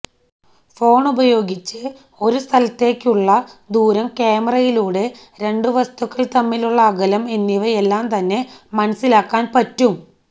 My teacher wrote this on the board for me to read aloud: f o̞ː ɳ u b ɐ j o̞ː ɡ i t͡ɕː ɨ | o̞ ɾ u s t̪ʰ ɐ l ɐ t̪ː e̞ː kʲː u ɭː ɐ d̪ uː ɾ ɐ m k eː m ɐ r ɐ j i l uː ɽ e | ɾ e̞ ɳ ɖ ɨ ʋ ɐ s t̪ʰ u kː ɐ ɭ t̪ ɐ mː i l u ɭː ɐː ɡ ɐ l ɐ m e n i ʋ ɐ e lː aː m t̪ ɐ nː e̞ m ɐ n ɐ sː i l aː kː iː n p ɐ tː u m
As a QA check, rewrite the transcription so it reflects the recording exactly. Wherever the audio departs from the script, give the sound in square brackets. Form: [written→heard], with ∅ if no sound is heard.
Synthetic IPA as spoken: f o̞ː ɳ u b ɐ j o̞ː ɡ i t͡ɕː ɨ | o̞ ɾ u s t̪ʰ ɐ l ɐ t̪ː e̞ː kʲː u ɭː ɐ d̪ uː ɾ ɐ m k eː m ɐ r ɐ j i l uː ɽ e | ɾ e̞ ɳ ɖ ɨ ʋ ɐ s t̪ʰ u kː ɐ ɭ t̪ ɐ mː i l u ɭː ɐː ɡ ɐ l ɐ m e [n→nː] i ʋ ɐ e lː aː m t̪ ɐ nː e̞ m ɐ n ɐ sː i l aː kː [iː→aː] n p ɐ tː u m

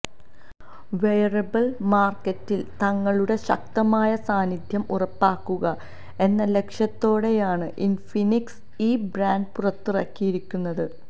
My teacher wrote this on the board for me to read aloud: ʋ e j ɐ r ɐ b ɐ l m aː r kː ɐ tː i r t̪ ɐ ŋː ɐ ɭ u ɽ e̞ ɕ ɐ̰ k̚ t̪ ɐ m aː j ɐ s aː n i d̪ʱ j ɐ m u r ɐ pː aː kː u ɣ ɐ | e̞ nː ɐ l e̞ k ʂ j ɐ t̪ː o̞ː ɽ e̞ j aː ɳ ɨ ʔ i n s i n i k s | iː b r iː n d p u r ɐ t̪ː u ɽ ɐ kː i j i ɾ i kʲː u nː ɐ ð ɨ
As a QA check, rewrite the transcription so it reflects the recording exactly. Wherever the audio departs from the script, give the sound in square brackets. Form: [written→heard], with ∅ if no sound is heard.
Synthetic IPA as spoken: ʋ e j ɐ r ɐ b ɐ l m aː r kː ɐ tː i [r→l] t̪ ɐ ŋː ɐ ɭ u ɽ e̞ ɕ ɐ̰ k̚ t̪ ɐ m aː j ɐ s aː n i d̪ʱ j ɐ m u r ɐ pː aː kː u ɣ ɐ | e̞ nː ɐ l e̞ k ʂ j ɐ t̪ː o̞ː ɽ e̞ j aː ɳ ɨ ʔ i n [s→f] i n i k s | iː b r [iː→aː] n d p u r ɐ t̪ː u [ɽ→r] ɐ kː i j i ɾ i kʲː u nː ɐ ð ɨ

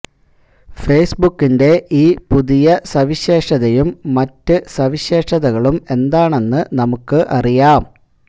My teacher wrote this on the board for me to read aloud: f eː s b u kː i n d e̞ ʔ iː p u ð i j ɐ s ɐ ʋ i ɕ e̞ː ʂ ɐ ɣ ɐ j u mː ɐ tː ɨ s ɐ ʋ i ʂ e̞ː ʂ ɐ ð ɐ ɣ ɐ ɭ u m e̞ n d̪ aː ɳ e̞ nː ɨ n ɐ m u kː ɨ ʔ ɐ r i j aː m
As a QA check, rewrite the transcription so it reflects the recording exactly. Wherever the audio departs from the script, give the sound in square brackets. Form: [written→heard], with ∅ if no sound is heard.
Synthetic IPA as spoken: f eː s b u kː i n d e̞ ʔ iː p u ð i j ɐ s ɐ ʋ i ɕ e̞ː ʂ ɐ [ɣ→ð] ɐ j u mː ɐ tː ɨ s ɐ ʋ i [ʂ→ɕ] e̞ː ʂ ɐ ð ɐ ɣ ɐ ɭ u m e̞ n d̪ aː ɳ e̞ nː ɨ n ɐ m u kː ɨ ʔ ɐ r i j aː m

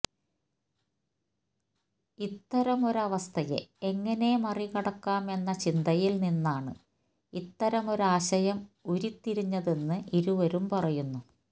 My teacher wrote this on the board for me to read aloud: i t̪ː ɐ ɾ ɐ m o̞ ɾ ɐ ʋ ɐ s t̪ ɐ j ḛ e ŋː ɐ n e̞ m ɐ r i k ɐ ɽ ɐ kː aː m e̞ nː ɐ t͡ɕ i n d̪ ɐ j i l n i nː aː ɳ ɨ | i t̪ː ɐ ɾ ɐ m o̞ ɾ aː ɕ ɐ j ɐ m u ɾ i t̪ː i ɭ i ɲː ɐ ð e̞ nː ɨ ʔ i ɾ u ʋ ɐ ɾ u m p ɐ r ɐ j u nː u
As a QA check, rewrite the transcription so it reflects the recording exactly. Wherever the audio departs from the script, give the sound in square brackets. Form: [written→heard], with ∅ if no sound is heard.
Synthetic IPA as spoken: i t̪ː ɐ ɾ ɐ m o̞ ɾ ɐ ʋ ɐ s [t̪→t̪ʰ] ɐ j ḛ e ŋː ɐ n e̞ m ɐ r i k ɐ ɽ ɐ kː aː m e̞ nː ɐ t͡ɕ i n d̪ ɐ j i l n i nː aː ɳ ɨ | i t̪ː ɐ ɾ ɐ m o̞ ɾ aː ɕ ɐ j ɐ m u ɾ i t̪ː i [ɭ→ɾ] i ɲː ɐ ð e̞ nː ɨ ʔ i ɾ u ʋ ɐ ɾ u m p ɐ r ɐ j u nː u

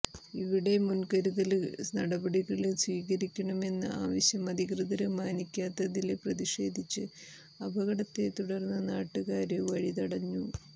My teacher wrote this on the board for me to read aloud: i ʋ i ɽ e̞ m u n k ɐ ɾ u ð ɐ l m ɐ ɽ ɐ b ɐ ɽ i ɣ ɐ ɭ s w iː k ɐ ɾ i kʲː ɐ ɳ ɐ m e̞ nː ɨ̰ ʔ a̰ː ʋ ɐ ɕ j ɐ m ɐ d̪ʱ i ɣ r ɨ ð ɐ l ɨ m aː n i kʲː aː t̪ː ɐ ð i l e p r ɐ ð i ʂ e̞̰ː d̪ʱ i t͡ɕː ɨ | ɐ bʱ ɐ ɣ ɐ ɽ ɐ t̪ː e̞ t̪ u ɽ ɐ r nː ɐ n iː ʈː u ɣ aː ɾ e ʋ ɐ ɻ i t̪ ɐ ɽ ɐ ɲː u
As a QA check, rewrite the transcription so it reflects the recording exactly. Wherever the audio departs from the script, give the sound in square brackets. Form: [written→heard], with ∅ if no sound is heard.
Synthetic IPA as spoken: i ʋ i ɽ e̞ m u n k ɐ ɾ u ð ɐ l [m→n] ɐ ɽ ɐ b ɐ ɽ i ɣ ɐ ɭ s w iː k ɐ ɾ i kʲː ɐ ɳ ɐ m e̞ nː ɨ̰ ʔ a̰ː ʋ ɐ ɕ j ɐ m ɐ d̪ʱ i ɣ r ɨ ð ɐ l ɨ m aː n i kʲː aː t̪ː ɐ ð i l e p r ɐ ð i ʂ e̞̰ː d̪ʱ i t͡ɕː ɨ | ɐ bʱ ɐ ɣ ɐ ɽ ɐ t̪ː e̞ t̪ u ɽ ɐ r nː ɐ n [iː→aː] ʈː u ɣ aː ɾ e ʋ ɐ ɻ i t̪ ɐ ɽ ɐ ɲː u

